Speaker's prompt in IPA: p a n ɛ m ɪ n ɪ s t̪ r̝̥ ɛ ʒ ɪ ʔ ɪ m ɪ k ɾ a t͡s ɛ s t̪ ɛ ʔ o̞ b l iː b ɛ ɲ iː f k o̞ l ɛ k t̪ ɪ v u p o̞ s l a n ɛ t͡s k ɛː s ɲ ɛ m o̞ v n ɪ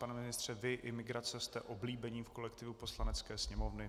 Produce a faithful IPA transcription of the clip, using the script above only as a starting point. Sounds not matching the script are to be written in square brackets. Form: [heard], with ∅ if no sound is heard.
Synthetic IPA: p a n ɛ m ɪ n ɪ s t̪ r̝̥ ɛ [v] ɪ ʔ ɪ m ɪ [ɡ] ɾ a t͡s ɛ s t̪ ɛ ʔ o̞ b l iː b ɛ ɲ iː f k o̞ l ɛ k t̪ ɪ v u p o̞ s l a n ɛ t͡s k ɛː s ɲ ɛ m o̞ v n ɪ